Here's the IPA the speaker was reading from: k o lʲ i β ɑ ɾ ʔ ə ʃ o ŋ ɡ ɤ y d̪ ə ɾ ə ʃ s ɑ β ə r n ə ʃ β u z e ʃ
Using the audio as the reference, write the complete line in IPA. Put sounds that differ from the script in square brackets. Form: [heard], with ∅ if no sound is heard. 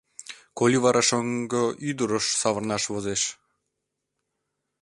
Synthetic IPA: k o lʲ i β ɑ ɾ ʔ [ɑ] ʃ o ŋ ɡ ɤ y d̪ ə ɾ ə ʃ s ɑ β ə r n [ɑ] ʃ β [o] z e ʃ